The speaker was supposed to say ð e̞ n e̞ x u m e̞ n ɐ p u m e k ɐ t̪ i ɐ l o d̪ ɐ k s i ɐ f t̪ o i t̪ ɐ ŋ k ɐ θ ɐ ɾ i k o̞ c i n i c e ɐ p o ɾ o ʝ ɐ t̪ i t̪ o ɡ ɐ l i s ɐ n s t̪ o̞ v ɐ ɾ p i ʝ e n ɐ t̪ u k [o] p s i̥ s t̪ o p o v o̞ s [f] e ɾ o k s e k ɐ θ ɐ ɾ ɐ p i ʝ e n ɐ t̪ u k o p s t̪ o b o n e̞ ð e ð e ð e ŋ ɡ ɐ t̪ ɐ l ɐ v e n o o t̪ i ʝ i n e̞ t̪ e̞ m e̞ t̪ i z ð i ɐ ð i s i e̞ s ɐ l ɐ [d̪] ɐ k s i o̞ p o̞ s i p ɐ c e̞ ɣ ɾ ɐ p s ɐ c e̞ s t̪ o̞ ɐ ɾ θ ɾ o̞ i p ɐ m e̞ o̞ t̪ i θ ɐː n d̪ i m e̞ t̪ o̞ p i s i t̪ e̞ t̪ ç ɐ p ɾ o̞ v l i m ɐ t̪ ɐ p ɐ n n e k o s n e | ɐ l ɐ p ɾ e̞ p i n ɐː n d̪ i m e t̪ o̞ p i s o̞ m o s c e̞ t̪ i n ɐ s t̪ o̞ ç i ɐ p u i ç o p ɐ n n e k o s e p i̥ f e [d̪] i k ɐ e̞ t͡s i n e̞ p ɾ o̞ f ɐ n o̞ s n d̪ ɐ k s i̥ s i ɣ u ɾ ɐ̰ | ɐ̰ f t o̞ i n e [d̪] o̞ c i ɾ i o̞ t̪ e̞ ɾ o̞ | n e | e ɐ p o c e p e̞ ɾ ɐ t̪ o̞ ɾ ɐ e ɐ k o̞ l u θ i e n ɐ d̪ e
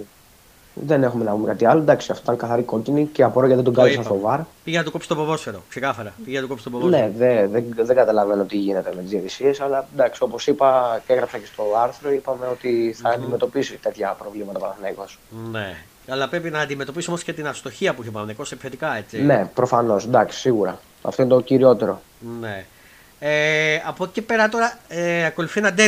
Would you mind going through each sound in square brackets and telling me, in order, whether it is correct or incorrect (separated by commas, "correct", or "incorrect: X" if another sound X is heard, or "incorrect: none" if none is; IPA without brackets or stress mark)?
correct, correct, correct, incorrect: t̪, incorrect: t̪